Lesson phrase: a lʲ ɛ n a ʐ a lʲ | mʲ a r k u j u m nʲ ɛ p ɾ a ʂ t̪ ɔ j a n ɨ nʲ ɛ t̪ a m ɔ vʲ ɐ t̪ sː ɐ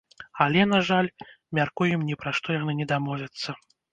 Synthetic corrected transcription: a lʲ ɛ n a ʐ a lʲ | mʲ a r k u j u m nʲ ɛ p ɾ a ʂ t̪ ɔ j a n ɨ nʲ ɛ d̪ a m ɔ vʲ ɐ t̪ sː ɐ